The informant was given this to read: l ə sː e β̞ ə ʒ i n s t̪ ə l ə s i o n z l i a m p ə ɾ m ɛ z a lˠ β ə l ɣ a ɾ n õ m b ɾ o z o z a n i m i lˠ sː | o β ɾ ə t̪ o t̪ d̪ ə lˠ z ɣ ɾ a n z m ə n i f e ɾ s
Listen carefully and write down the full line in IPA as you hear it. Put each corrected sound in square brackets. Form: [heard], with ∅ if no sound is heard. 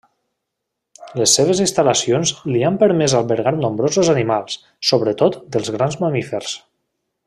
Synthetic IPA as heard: l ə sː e β̞ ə [z] i n s t̪ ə l ə s i o n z l i a m p ə ɾ m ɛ z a lˠ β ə [ɾ] ɣ a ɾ n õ m b ɾ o z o z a n i m [a] lˠ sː | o β ɾ ə t̪ o t̪ d̪ ə lˠ z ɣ ɾ a n z m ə [m] i f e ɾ s